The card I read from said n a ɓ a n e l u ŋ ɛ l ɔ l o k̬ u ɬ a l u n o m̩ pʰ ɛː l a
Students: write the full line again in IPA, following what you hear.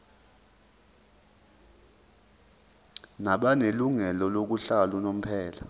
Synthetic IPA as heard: n a ɓ a n e l u ŋ ɛ l ɔ l o k̬ u ɬ a l u n o m̩ pʰ ɛː l a